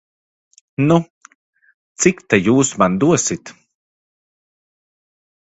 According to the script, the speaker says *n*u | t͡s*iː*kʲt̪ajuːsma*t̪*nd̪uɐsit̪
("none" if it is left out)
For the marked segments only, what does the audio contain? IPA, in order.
n, i, none

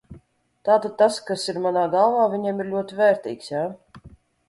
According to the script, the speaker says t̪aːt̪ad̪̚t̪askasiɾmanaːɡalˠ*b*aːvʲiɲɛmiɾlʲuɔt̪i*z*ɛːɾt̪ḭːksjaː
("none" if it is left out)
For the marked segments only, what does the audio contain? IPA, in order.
v, v

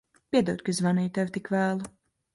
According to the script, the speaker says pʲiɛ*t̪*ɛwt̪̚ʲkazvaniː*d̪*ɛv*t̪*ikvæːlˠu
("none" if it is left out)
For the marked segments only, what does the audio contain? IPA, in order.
d̪, t̪, t̪

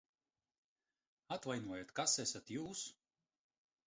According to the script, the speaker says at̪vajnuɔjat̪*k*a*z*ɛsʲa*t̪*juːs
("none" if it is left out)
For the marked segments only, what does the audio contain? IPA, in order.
k, s, t̪

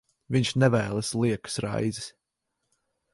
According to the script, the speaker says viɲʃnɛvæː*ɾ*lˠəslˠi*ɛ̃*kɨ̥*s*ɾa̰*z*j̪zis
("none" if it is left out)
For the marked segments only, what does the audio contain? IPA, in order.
none, ɛ, s, none

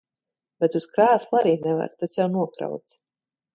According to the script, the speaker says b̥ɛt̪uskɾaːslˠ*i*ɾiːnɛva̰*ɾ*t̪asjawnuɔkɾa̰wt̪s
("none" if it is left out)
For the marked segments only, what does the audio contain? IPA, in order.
a, ɾ

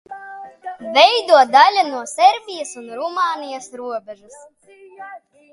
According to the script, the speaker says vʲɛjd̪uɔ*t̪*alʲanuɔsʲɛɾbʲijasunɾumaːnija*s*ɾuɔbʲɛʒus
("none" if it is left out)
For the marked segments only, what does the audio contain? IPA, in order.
d̪, s

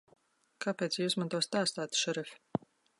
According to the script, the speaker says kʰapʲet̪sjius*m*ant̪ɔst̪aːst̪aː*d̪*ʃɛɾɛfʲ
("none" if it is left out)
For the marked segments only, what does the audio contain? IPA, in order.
m, t̪

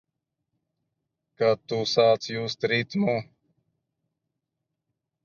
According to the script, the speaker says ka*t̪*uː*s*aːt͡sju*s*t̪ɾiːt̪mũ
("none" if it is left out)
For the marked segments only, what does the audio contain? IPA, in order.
t̪, s, s

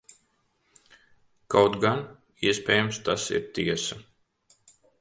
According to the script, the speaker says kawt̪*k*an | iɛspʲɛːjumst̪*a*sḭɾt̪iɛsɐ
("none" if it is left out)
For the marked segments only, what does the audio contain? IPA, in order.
ɡ, a

